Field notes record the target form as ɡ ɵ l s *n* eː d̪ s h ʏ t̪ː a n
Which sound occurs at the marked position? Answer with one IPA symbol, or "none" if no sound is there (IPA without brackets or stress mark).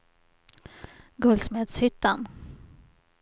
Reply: m